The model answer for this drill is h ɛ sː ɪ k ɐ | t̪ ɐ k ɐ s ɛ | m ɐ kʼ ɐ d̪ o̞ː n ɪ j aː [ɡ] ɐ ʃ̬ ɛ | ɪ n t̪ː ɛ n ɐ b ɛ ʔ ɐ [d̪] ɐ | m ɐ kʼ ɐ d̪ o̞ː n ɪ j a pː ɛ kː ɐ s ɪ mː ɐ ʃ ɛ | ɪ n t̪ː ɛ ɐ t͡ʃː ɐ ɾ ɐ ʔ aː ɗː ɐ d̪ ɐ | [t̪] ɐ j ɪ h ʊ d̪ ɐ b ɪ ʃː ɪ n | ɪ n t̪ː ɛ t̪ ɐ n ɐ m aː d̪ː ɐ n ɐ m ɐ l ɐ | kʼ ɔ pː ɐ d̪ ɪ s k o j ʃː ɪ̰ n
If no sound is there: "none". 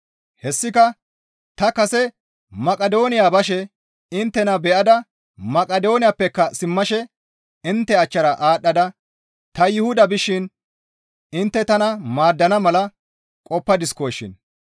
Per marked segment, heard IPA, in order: b, d̪, t̪

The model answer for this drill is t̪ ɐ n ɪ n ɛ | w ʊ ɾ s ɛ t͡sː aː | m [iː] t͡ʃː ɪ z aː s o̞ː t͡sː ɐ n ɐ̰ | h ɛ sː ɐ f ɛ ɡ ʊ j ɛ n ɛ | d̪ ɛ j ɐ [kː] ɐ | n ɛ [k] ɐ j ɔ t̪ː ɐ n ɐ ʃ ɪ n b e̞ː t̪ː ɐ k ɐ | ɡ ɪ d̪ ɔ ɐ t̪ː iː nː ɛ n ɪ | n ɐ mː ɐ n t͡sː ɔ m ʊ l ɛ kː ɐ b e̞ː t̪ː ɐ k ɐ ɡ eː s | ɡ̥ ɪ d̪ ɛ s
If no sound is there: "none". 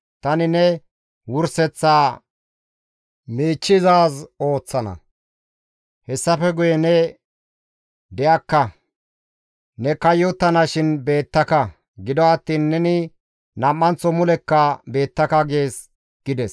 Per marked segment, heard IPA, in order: iː, kː, k

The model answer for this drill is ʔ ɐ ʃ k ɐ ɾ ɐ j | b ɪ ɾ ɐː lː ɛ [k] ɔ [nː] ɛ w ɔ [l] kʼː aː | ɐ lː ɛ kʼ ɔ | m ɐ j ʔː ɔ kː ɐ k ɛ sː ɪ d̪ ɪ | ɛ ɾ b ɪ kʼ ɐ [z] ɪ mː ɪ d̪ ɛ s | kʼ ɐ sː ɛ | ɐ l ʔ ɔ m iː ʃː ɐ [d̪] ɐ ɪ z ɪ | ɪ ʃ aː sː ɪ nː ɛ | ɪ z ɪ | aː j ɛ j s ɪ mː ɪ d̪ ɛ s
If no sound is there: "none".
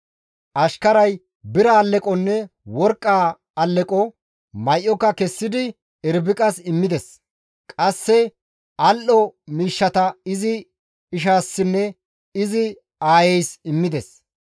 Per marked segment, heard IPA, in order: kʼ, nː, ɾ, s, t̪

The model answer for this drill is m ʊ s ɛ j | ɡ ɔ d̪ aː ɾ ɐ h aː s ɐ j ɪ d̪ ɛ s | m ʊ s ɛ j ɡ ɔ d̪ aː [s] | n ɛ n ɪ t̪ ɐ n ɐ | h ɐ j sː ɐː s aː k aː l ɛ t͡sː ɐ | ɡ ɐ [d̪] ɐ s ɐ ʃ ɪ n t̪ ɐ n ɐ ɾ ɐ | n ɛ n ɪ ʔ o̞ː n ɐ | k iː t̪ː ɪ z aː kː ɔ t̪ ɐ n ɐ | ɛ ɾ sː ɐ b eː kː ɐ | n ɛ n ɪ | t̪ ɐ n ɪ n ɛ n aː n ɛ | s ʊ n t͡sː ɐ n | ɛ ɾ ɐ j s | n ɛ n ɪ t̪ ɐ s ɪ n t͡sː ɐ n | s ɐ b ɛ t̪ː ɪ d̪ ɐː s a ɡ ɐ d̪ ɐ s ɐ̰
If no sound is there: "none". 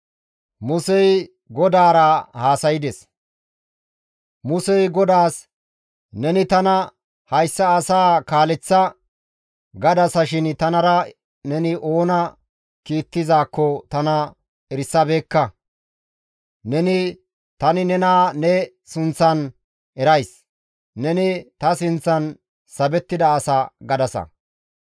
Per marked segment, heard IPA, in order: s, d̪

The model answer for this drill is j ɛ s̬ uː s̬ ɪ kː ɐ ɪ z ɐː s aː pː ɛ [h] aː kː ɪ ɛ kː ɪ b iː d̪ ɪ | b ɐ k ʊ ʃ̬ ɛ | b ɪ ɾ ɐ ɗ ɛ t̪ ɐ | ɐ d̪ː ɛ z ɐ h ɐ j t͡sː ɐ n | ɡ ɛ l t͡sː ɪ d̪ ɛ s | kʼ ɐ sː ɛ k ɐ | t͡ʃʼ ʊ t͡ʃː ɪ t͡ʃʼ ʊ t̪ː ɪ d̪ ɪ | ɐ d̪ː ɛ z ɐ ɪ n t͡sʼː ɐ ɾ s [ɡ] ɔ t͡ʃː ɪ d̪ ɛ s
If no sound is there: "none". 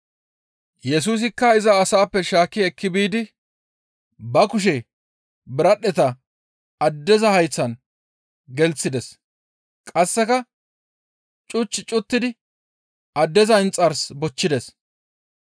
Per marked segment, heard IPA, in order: ʃ, b

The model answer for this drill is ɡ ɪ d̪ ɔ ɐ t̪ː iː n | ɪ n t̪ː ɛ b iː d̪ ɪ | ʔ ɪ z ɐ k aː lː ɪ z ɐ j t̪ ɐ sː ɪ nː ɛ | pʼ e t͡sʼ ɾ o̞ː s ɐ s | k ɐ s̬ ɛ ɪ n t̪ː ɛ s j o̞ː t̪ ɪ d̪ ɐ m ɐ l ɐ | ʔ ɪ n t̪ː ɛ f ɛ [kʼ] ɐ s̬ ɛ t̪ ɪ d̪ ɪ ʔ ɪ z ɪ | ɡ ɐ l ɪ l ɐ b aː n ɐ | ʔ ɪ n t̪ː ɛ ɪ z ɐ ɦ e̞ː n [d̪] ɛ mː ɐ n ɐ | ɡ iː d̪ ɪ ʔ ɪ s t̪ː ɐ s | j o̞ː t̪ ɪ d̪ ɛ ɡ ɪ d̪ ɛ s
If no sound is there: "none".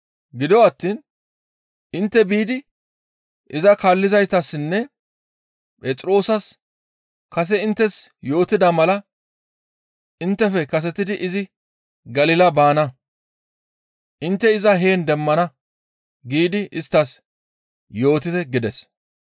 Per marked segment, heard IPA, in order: k, d̪

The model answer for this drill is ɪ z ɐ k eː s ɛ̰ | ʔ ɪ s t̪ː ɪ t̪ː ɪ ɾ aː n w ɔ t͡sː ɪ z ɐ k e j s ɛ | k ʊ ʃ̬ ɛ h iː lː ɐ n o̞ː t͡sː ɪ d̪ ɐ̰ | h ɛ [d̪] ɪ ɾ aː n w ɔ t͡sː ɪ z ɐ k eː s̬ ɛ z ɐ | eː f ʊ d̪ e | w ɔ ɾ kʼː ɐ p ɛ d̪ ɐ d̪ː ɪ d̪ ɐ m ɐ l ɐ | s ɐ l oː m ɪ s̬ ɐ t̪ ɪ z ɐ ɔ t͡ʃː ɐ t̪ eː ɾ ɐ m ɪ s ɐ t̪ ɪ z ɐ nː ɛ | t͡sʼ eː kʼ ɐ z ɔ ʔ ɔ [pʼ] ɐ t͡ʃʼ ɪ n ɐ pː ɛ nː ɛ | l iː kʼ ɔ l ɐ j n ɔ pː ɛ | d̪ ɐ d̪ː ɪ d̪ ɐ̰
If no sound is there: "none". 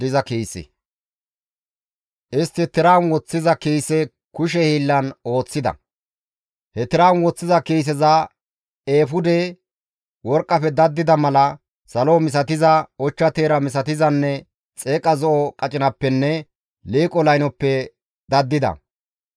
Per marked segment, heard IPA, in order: t̪, kʼ

